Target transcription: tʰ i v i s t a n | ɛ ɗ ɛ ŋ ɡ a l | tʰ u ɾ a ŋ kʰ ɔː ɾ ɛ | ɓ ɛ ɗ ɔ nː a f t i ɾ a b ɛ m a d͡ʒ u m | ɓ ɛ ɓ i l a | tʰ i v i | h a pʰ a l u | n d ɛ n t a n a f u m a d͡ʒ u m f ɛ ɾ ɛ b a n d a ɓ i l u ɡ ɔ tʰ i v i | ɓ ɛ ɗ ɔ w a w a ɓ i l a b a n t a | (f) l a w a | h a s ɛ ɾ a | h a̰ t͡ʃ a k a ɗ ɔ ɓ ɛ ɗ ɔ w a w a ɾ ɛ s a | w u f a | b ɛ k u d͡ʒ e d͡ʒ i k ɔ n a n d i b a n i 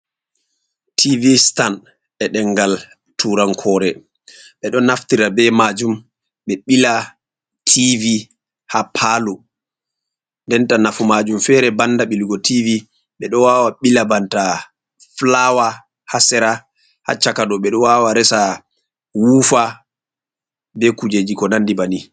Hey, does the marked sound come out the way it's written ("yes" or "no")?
yes